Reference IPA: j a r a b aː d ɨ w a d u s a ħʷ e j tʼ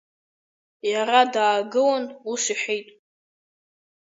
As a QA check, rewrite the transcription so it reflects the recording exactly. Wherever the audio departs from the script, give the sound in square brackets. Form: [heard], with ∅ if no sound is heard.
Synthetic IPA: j a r a [d] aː [ɡ] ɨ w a [n] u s [i] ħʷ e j tʼ